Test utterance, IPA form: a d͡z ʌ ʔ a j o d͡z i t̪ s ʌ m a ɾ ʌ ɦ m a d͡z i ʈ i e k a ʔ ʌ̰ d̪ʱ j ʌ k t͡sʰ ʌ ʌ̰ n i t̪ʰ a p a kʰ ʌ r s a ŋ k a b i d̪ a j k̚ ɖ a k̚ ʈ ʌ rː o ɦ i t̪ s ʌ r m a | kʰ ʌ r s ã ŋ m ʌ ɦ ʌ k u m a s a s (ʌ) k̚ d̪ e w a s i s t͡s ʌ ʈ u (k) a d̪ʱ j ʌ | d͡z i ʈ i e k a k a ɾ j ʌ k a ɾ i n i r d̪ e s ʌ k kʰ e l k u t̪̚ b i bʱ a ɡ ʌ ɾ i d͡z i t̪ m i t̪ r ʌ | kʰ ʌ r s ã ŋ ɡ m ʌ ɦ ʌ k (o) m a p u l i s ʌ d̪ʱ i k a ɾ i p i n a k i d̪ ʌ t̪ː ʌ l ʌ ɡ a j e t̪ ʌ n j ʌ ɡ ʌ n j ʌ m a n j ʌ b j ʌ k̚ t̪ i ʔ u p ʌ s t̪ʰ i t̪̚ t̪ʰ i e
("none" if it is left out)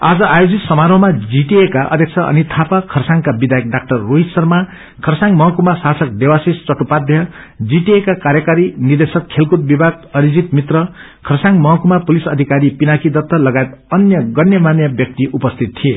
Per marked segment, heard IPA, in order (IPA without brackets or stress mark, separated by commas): ʌ, p, u